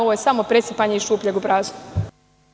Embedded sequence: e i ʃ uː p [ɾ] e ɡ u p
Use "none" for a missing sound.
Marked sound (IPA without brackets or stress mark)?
ʎ